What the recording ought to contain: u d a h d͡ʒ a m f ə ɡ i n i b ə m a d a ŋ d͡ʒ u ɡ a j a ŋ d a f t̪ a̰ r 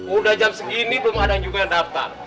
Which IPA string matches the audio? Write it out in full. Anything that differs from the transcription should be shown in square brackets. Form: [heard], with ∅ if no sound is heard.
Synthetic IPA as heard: u d a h d͡ʒ a m [s] ə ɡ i n i b ə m a d a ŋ d͡ʒ u ɡ a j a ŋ d a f t̪ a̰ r